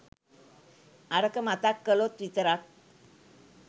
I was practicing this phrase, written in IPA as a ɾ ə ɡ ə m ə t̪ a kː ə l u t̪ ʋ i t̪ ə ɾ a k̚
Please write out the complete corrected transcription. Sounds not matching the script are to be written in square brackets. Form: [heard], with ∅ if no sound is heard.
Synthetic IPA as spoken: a ɾ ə [k] ə m [a] t̪ a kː ə l [o] t̪ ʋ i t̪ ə ɾ a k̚